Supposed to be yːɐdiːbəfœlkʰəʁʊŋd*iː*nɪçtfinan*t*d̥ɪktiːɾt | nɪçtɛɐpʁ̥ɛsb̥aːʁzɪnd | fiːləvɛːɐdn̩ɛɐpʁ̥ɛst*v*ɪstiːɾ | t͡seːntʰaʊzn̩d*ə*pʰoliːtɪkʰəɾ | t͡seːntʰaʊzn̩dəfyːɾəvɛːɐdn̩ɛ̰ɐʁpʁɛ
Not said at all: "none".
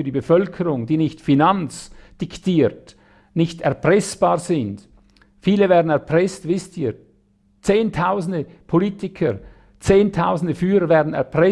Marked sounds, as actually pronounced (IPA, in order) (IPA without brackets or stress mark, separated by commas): iː, t͡s, v, ə